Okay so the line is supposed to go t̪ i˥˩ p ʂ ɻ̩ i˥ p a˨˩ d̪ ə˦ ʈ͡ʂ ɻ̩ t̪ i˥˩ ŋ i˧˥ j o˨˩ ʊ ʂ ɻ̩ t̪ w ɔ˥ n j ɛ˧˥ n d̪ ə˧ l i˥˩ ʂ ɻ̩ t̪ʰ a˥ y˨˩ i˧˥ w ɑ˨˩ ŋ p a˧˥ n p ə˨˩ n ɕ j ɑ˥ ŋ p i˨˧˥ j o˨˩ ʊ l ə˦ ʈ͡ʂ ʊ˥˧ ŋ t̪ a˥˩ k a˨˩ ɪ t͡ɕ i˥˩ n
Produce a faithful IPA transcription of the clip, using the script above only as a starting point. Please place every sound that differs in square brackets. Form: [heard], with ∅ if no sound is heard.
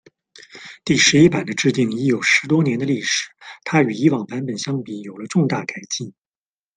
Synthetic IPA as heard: t̪ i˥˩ [∅] ʂ ɻ̩ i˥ p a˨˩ d̪ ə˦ ʈ͡ʂ ɻ̩ t̪ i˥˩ ŋ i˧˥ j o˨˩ ʊ ʂ ɻ̩ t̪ w ɔ˥ n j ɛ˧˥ n d̪ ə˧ l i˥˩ ʂ ɻ̩ t̪ʰ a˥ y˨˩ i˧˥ w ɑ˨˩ ŋ p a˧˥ n p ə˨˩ n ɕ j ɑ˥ ŋ p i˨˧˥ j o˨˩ ʊ l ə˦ ʈ͡ʂ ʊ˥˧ ŋ t̪ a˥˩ k a˨˩ ɪ t͡ɕ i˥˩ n